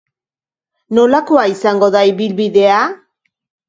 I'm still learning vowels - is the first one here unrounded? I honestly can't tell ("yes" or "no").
no